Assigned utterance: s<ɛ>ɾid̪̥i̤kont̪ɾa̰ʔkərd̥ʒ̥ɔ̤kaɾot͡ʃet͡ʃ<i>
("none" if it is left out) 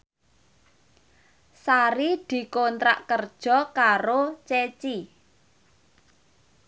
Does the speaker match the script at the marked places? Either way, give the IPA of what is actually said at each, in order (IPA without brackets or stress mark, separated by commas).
a, i